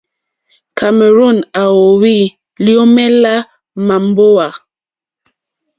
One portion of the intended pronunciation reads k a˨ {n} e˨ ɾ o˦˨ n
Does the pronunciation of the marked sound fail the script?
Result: yes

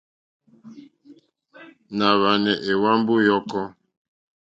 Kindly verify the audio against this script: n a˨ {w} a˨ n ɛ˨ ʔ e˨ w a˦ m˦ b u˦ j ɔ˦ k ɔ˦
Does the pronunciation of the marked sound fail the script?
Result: yes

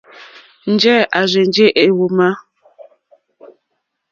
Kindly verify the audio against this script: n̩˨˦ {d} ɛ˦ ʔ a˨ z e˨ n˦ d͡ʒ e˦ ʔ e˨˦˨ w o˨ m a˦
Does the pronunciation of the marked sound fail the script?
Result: yes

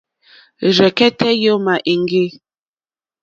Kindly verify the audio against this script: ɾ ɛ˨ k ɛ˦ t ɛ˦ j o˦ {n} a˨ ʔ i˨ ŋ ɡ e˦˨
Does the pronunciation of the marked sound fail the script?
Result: yes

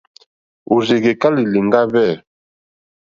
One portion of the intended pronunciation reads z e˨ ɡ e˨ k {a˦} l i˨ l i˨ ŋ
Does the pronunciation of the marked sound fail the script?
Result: no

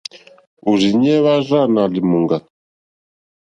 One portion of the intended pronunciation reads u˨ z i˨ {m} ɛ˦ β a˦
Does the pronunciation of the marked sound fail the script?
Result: yes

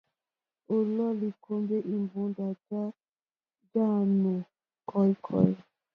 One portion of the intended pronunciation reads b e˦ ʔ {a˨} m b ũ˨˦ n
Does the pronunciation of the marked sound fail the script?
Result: yes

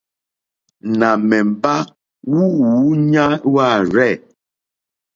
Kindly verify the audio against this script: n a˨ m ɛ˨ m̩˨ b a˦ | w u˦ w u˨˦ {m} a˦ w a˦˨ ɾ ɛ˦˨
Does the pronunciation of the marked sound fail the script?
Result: yes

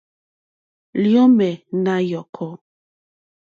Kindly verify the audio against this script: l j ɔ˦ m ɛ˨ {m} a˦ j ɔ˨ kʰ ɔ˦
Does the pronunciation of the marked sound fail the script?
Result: yes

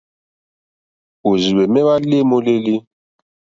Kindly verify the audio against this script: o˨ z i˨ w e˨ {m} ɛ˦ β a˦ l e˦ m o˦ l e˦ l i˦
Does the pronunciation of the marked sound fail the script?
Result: no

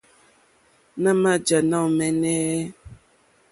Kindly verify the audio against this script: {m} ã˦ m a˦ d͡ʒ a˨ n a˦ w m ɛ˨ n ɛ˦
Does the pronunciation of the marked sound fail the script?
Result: yes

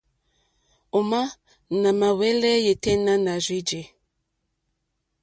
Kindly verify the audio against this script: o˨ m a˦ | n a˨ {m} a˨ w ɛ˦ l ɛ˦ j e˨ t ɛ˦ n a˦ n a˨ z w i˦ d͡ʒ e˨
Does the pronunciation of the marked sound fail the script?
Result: no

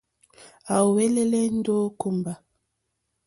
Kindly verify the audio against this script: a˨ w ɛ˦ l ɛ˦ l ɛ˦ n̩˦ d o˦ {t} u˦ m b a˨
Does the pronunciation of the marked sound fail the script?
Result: yes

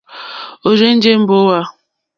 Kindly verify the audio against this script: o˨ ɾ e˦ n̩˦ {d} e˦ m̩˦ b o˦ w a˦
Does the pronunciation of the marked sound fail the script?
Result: yes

